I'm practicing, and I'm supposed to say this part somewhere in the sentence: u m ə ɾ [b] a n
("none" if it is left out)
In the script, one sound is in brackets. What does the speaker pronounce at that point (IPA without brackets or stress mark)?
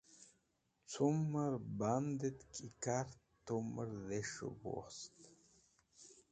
b